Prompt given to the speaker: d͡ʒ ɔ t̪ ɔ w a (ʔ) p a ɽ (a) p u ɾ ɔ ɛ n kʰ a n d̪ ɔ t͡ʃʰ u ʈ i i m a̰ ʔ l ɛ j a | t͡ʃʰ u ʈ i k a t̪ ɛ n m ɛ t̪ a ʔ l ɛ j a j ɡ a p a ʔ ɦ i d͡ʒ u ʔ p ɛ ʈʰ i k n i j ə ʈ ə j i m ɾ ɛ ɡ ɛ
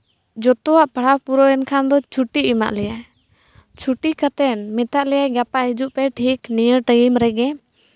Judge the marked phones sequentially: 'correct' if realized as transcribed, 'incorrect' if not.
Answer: correct, correct

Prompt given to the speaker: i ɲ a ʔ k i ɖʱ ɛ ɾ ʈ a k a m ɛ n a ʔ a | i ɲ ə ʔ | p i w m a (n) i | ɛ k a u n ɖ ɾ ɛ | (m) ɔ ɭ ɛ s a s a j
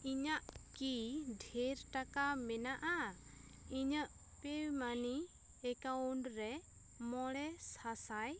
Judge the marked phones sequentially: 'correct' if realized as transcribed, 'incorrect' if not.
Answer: correct, correct

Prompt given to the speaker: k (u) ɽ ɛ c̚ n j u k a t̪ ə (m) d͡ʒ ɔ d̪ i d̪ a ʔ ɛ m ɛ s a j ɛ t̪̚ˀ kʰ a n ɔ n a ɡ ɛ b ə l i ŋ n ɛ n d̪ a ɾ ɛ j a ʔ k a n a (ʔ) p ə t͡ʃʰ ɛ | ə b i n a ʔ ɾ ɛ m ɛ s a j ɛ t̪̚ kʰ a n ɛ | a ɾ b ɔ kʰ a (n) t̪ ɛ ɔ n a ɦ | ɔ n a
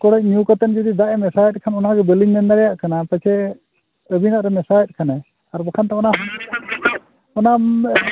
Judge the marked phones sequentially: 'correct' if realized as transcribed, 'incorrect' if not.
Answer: incorrect: ɔ, incorrect: n, incorrect: none, correct

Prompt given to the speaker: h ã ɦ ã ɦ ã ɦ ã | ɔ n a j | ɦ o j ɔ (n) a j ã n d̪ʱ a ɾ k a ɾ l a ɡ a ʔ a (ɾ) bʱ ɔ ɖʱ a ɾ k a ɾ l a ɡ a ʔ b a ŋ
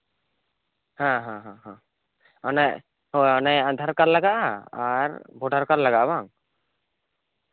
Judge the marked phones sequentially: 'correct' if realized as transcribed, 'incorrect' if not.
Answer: correct, correct

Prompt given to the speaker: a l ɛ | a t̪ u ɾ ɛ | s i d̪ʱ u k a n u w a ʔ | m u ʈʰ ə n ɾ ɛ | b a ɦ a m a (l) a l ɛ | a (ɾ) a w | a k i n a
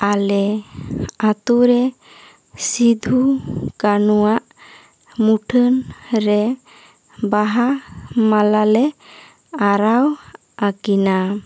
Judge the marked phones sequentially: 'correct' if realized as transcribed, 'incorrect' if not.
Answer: correct, correct

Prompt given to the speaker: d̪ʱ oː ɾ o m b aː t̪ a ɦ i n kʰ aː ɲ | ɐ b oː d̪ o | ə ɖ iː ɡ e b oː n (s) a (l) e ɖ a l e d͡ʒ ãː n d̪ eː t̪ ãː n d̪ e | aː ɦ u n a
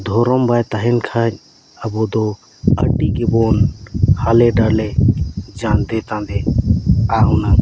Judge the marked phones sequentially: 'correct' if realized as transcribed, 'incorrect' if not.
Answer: incorrect: h, correct

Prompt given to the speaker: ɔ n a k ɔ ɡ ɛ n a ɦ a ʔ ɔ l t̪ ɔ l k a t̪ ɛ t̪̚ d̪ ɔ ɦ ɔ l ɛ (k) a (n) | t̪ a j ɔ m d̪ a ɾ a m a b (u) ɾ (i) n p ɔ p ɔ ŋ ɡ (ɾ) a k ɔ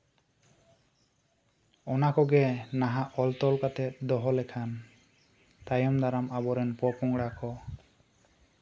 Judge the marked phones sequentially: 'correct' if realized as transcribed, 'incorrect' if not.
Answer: incorrect: kʰ, correct, incorrect: ɔ, incorrect: ɛ, incorrect: ɽ

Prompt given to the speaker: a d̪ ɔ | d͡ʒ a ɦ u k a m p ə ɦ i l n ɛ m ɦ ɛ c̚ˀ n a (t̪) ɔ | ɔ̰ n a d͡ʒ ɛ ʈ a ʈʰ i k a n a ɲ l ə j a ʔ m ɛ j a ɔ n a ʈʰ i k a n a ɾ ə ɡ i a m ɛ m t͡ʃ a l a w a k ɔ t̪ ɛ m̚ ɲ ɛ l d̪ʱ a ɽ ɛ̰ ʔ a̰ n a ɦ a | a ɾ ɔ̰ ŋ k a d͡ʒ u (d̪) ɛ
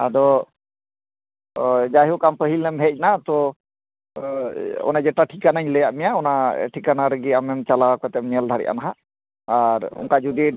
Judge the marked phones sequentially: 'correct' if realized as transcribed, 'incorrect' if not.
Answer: correct, correct

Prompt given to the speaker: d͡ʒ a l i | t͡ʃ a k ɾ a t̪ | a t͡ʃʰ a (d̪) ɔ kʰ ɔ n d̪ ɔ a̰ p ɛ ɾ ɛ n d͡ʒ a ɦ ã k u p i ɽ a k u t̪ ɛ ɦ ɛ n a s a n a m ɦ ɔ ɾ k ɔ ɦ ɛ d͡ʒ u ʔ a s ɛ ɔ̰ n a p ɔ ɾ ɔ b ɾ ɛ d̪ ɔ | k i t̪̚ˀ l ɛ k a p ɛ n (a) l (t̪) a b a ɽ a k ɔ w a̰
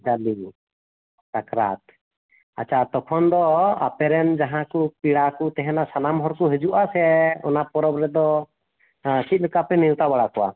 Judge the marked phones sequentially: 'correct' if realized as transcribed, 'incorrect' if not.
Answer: incorrect: t̪, incorrect: i, correct

